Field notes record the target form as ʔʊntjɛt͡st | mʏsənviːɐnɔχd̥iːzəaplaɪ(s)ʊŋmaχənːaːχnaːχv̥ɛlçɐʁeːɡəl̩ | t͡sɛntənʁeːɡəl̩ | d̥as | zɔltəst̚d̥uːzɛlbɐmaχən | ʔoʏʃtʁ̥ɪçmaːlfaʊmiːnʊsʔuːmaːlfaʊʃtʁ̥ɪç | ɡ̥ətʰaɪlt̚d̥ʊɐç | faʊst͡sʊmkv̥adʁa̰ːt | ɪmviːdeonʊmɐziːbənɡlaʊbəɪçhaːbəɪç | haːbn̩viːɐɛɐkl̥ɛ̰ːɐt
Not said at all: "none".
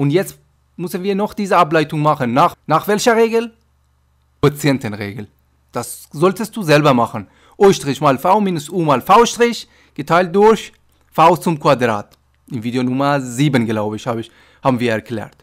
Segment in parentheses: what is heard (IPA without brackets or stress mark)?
t